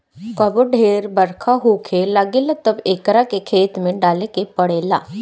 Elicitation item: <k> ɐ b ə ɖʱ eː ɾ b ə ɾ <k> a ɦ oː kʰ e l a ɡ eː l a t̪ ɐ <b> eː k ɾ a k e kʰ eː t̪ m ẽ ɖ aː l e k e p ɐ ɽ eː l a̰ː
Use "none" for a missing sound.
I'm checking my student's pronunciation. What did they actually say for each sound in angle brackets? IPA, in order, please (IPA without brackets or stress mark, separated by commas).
k, kʰ, b